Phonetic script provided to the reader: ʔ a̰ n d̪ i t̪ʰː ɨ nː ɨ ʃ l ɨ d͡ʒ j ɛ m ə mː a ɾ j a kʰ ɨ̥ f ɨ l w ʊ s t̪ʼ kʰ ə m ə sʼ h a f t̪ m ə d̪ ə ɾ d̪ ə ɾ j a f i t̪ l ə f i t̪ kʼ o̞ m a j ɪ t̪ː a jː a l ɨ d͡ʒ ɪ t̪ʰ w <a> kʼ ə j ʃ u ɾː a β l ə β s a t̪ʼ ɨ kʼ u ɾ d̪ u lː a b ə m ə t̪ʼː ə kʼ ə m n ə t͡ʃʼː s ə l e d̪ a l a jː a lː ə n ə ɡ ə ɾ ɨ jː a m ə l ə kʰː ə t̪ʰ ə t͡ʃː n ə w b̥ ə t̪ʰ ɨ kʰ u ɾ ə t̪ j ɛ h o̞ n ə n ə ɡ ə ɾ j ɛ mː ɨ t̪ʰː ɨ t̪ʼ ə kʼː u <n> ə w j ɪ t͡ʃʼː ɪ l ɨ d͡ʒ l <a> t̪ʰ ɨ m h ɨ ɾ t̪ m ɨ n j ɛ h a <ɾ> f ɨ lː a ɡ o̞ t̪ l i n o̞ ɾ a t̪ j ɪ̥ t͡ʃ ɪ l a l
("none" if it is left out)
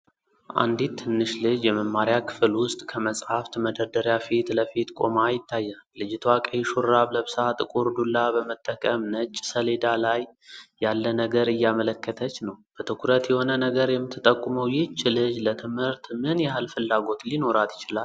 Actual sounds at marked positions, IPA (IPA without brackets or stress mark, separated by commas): a, m, ə, l